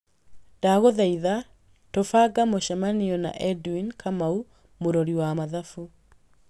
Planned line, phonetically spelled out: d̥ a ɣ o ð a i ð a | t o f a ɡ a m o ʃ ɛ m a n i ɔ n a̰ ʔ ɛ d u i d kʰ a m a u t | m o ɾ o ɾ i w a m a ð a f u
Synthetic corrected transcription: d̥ a ɣ o ð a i ð a | t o f a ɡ a m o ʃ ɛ m a n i ɔ n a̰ ʔ ɛ d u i n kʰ a m a u | m o ɾ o ɾ i w a m a ð a f u